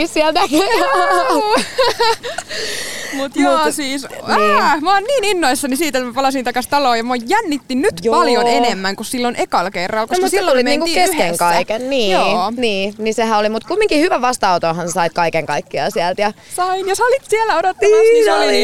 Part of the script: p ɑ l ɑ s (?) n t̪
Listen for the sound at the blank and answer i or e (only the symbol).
i